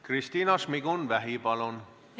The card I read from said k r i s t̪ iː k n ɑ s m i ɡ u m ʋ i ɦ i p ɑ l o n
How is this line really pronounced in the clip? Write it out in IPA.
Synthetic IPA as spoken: k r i s t̪ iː n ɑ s m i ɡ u n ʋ æ ɦ i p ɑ l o n